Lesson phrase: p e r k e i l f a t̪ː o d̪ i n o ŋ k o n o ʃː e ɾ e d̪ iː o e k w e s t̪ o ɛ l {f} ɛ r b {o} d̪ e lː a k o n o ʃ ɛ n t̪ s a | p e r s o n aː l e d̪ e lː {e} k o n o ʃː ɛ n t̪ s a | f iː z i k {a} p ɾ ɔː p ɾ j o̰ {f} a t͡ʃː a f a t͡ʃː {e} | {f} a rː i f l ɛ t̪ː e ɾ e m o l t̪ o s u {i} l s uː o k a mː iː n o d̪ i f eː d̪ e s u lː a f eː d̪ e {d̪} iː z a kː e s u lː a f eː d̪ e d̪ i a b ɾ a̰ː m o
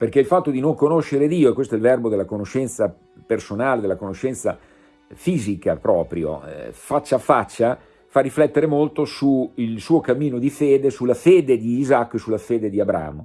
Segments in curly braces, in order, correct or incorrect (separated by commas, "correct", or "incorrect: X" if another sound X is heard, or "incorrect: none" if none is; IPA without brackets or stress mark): incorrect: v, correct, incorrect: a, correct, correct, incorrect: a, correct, correct, correct